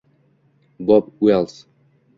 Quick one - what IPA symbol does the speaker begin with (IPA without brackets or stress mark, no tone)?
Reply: b